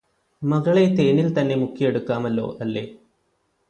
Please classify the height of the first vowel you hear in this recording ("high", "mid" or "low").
low